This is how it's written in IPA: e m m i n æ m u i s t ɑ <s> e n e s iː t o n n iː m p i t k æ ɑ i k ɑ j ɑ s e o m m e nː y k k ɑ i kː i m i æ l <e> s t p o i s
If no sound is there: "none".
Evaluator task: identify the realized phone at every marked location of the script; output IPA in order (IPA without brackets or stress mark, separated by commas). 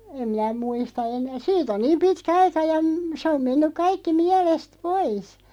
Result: none, e